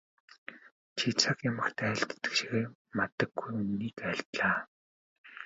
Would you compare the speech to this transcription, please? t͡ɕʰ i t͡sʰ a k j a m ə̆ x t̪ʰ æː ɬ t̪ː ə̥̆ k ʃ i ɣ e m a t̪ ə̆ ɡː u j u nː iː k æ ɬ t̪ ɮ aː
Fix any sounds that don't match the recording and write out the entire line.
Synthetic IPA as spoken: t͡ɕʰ i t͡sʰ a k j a m ə̆ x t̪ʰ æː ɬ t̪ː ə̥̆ k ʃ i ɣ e m a t̪ ə̆ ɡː u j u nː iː k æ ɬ t̪ ɮ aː